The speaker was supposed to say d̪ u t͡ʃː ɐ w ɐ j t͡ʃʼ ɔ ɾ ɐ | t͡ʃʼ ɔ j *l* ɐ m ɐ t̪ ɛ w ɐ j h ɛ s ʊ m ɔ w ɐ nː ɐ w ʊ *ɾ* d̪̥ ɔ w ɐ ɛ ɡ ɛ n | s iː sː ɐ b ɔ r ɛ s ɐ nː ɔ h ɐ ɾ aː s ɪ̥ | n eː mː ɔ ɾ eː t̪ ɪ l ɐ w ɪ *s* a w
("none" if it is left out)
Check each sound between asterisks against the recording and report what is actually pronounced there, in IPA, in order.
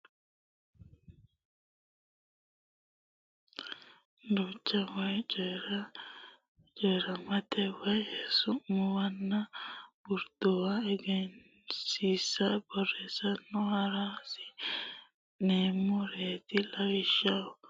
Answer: ɾ, ɾ, ʃ

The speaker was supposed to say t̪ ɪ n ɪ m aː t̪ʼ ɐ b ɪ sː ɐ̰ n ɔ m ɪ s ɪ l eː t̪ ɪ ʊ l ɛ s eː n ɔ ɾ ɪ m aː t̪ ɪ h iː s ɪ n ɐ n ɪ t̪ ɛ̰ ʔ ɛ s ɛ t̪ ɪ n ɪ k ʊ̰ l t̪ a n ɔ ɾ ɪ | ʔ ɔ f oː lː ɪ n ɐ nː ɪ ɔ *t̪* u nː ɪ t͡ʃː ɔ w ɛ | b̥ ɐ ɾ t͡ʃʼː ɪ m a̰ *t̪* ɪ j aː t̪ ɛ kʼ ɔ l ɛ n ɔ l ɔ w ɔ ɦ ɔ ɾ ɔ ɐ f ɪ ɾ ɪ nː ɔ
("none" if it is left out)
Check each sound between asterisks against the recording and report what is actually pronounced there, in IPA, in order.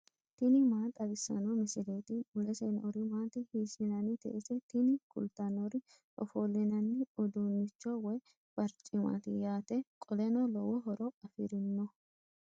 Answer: d̪, t̪

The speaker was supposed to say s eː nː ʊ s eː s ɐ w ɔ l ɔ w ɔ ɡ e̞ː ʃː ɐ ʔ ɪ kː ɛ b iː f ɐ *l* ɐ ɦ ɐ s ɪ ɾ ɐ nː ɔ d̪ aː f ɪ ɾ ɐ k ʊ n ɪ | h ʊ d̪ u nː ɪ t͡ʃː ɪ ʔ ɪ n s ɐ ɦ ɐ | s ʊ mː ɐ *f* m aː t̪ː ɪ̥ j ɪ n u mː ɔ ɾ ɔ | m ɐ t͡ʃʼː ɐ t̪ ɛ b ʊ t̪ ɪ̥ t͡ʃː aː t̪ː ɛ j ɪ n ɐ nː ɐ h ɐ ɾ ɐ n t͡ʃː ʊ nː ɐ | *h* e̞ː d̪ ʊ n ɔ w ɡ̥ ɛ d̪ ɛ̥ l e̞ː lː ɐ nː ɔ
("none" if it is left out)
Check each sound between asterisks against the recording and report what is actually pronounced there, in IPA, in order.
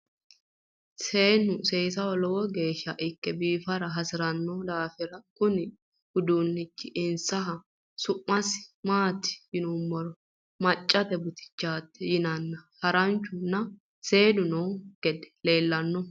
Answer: ɾ, s, s

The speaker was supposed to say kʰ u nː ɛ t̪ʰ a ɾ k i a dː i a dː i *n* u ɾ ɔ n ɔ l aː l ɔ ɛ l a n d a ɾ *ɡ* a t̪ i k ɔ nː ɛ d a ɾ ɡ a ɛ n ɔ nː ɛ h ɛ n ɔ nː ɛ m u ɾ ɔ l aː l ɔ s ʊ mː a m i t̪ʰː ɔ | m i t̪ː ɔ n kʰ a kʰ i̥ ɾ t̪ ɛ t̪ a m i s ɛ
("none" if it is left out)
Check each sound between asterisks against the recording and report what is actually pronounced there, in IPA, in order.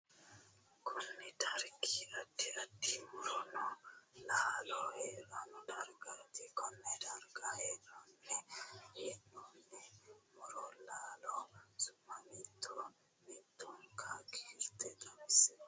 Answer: m, ɡ

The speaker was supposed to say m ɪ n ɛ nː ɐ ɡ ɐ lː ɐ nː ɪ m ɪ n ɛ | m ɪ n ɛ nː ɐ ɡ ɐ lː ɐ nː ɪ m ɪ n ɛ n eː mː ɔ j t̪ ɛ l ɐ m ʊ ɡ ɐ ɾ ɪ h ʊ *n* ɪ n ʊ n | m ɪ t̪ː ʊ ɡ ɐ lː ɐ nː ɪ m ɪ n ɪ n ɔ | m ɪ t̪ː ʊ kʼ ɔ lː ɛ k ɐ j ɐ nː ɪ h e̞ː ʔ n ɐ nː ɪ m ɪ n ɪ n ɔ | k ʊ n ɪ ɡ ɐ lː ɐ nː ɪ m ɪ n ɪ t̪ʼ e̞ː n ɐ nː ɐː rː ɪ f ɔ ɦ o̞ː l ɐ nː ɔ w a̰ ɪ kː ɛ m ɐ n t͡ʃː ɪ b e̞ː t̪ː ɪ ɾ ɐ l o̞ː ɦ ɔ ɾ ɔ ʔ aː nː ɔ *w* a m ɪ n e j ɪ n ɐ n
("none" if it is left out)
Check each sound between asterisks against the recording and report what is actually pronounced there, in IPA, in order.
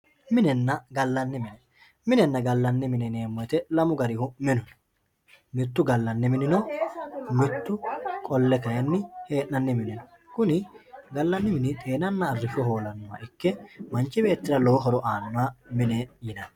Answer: m, w

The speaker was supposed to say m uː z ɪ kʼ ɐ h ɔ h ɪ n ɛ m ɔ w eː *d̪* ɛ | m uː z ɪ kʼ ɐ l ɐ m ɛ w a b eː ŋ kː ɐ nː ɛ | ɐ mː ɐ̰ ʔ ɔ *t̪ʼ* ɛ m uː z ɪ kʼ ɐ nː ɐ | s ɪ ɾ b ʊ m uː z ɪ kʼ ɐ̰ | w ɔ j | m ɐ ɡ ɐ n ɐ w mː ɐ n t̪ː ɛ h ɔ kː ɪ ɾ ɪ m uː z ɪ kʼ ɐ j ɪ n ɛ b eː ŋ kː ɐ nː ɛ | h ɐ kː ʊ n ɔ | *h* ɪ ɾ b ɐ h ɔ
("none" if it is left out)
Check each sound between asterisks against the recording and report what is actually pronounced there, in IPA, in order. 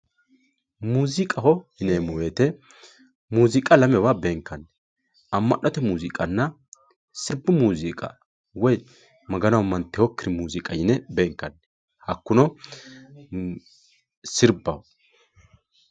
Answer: t̪, t̪, s

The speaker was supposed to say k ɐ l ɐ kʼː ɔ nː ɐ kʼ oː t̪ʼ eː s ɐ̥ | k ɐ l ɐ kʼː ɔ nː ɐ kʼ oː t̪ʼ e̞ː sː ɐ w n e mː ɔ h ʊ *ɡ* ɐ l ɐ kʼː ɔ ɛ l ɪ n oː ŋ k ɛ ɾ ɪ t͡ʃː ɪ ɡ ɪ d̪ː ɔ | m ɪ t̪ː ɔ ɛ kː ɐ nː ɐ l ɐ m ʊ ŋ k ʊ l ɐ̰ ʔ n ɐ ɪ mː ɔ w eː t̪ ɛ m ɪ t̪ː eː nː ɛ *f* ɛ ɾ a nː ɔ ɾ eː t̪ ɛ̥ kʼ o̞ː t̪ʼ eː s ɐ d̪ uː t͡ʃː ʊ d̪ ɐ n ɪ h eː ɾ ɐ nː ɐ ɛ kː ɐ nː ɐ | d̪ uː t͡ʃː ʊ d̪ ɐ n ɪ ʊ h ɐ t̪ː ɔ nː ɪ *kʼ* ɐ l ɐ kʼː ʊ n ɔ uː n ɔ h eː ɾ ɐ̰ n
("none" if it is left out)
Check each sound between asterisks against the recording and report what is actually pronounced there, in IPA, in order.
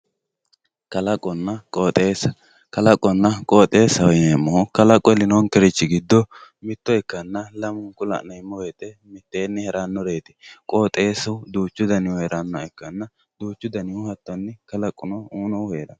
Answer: k, h, k

